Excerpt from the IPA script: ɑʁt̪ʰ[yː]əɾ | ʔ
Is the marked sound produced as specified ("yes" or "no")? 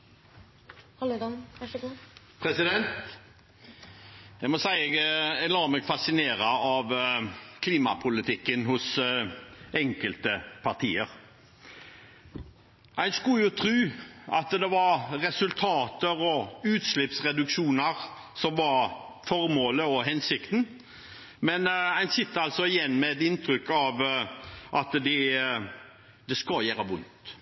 no